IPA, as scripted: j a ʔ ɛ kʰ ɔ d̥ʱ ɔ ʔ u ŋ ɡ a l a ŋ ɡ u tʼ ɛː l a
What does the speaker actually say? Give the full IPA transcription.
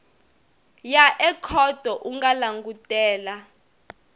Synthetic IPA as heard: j a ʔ ɛ kʰ ɔ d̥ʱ ɔ ʔ u ŋ ɡ a l a ŋ ɡ u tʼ ɛː l a